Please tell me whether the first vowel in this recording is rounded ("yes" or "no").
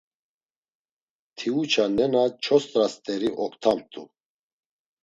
no